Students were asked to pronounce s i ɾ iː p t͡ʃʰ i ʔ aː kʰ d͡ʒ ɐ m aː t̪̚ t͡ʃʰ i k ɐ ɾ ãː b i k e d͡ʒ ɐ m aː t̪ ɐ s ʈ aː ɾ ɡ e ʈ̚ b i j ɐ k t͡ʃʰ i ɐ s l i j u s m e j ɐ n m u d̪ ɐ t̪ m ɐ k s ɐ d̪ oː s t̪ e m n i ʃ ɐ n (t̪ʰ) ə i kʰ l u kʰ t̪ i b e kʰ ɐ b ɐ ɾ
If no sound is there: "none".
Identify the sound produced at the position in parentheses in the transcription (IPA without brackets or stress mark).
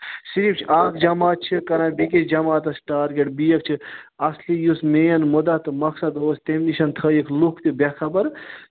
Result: t̪ʰ